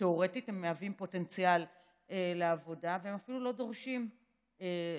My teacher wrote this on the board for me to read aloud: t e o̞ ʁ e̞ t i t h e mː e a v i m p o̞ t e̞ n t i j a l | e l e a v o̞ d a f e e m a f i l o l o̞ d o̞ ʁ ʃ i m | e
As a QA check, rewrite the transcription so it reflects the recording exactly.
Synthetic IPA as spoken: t e o̞ ʁ e̞ t i t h e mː e a v i m p o̞ t e̞ n t͡s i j a l | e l e a v o̞ d a v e e m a f i l u l o̞ d o̞ ʁ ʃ i m | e